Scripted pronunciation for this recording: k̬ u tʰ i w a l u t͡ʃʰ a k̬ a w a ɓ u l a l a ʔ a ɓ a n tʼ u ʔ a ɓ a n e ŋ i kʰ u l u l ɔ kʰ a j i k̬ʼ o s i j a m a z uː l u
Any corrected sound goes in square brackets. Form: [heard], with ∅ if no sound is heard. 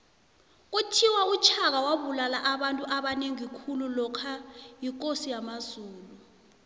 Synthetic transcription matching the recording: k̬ u tʰ i w a [∅] u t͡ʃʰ a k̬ a w a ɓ u l a l a ʔ a ɓ a n tʼ u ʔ a ɓ a n e ŋ i kʰ u l u l ɔ kʰ a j i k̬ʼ o s i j a m a z uː l u